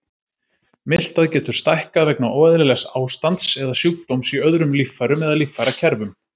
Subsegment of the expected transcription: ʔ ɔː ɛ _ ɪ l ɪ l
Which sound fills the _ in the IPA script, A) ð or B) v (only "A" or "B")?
A